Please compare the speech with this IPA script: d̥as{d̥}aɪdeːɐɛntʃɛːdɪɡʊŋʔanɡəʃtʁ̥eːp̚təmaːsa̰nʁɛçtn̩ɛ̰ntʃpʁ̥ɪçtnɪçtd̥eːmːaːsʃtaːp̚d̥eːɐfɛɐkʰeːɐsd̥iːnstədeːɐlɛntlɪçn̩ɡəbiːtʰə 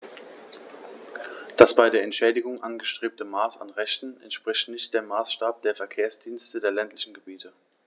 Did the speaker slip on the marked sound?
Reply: yes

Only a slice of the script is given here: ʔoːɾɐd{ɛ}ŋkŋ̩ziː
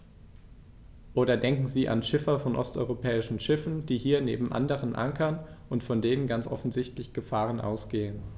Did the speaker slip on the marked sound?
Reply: no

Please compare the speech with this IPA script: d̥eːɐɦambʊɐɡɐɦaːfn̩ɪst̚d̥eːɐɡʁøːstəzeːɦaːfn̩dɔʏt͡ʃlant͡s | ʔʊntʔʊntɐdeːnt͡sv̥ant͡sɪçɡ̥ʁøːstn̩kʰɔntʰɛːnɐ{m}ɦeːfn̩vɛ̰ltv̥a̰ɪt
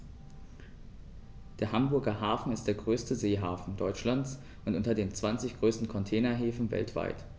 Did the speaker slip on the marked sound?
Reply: yes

